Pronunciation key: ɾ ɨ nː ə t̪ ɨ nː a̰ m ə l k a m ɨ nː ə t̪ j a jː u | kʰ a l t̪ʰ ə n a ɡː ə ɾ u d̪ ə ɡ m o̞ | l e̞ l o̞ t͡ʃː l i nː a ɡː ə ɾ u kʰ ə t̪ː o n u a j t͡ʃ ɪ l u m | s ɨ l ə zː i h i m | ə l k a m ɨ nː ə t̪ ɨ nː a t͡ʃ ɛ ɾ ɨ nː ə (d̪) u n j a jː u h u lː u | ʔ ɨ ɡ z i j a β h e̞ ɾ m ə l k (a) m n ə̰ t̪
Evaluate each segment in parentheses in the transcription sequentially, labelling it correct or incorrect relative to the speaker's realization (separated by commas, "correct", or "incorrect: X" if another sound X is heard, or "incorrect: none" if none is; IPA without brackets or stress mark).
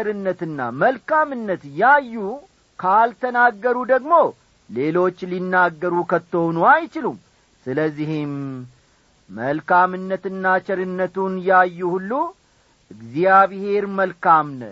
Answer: incorrect: t̪, correct